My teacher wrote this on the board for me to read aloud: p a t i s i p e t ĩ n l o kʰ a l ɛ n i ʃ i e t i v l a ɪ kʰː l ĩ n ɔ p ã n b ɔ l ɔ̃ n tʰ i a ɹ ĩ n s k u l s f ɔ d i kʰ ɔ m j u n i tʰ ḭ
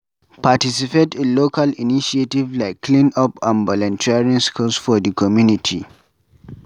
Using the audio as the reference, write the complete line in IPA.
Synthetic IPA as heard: p a t i s i p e t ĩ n l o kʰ a l i n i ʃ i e t i v l a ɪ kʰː l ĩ n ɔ p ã n b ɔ l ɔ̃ n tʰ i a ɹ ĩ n s k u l s f ɔ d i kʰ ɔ m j u n i tʰ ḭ